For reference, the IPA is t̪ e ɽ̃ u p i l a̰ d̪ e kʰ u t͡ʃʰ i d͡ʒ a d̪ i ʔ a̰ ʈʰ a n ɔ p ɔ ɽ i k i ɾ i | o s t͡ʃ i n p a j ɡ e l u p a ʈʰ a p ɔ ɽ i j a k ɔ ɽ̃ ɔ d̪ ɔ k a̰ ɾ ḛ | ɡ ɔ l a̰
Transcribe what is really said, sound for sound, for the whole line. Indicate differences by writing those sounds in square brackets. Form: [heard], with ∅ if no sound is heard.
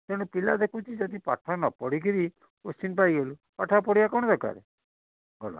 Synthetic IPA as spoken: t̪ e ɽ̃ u p i l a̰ d̪ e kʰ u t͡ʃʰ i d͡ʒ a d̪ i [p] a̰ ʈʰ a n ɔ p ɔ ɽ i k i ɾ i | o s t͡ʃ i n p a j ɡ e l u p a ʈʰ a p ɔ ɽ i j a k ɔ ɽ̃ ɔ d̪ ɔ k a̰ ɾ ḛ | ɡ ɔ l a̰

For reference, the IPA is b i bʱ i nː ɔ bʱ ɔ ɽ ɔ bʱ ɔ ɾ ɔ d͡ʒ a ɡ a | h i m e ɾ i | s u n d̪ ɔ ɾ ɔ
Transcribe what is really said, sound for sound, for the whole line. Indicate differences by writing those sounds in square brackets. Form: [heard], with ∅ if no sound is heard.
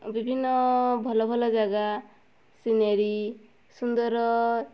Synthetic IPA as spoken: b i bʱ i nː ɔ bʱ ɔ [l] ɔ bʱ ɔ [l] ɔ d͡ʒ a ɡ a | [s] i [n] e ɾ i | s u n d̪ ɔ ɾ ɔ

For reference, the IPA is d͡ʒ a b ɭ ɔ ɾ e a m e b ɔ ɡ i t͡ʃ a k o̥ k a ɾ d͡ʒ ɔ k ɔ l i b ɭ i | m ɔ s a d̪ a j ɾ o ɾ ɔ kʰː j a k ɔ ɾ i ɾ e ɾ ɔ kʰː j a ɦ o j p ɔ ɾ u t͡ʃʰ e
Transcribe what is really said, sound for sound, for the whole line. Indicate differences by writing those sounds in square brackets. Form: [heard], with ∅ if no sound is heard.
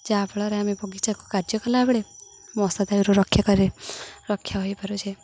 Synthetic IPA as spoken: d͡ʒ a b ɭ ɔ ɾ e a m e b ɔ ɡ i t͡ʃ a k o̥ k a ɾ d͡ʒ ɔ k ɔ l [a] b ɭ [e] | m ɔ s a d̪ a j ɾ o ɾ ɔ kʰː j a k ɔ ɾ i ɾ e ɾ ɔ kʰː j a ɦ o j p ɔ ɾ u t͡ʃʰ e

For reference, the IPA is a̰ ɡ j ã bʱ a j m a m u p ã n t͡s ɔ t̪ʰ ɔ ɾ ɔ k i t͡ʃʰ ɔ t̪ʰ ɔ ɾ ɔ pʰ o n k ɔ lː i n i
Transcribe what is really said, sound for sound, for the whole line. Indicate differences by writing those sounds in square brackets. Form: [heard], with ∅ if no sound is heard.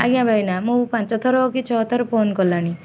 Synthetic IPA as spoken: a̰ ɡ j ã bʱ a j [n] a m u p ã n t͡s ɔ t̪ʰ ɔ ɾ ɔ k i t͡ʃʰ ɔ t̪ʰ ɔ ɾ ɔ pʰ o n k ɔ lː [a] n i

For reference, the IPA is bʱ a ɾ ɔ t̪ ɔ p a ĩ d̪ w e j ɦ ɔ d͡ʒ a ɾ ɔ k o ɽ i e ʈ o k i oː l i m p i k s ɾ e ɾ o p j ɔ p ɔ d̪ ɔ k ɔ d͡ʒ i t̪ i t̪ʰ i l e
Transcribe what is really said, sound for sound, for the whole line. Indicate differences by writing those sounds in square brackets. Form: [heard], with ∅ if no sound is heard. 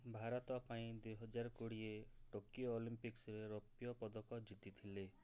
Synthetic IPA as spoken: bʱ a ɾ ɔ t̪ ɔ p a ĩ d̪ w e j ɦ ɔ d͡ʒ a ɾ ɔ k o ɽ i e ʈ o k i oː l i m p i k s ɾ e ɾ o p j ɔ p ɔ d̪ ɔ k ɔ d͡ʒ i t̪ i t̪ʰ i l e

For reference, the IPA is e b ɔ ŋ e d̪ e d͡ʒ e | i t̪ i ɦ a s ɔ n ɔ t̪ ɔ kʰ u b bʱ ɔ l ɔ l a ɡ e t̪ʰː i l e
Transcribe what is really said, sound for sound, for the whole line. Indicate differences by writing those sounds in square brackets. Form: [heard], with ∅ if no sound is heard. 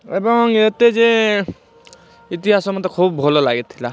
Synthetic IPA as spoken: e b ɔ ŋ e [t̪] e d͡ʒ e | i t̪ i ɦ a s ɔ [m] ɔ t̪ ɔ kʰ u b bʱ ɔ l ɔ l a ɡ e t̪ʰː i l [a]

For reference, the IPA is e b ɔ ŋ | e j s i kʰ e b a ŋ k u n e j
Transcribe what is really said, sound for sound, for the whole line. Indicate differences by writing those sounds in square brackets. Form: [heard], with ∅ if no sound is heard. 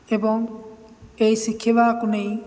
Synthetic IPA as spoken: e b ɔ ŋ | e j s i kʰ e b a [∅] k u n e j

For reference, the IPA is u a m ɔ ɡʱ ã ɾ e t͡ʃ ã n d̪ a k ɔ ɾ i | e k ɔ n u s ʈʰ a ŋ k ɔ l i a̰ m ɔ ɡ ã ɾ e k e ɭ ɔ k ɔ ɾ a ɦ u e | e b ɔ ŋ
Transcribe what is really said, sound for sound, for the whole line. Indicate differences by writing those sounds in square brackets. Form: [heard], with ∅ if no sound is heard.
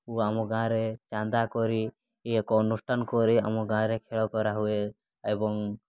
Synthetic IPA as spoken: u a m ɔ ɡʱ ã ɾ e t͡ʃ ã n d̪ a k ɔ ɾ i | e k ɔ n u s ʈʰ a [n] k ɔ [ɾ] i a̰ m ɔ ɡ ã ɾ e [kʰ] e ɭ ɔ k ɔ ɾ a ɦ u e | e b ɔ ŋ

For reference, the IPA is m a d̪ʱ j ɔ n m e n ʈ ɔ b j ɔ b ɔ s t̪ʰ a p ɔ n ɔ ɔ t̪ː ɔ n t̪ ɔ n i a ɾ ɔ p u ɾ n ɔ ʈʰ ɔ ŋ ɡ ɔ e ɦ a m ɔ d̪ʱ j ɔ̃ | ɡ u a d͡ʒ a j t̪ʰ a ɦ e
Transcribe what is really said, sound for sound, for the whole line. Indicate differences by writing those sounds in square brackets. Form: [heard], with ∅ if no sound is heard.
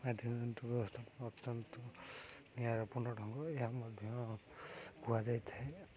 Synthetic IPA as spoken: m a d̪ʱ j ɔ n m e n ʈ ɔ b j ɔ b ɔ s t̪ʰ a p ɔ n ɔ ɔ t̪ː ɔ n t̪ ɔ n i a ɾ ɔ p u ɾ n ɔ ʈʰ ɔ ŋ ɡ ɔ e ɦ a m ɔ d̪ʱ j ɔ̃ | ɡ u a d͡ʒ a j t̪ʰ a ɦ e

